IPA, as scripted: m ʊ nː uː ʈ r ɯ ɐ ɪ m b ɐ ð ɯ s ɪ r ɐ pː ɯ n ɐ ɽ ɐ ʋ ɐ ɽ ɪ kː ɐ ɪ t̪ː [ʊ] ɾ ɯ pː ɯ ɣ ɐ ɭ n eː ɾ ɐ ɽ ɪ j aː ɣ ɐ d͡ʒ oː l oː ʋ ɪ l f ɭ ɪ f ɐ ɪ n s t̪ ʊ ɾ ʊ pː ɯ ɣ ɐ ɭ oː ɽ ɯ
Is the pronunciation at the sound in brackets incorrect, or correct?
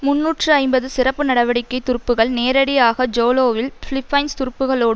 correct